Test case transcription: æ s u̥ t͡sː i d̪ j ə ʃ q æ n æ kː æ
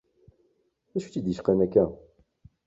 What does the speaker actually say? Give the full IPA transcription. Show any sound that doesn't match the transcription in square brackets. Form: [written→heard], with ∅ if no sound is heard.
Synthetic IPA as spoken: æ [s→ʃ] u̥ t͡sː i d̪ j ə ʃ q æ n æ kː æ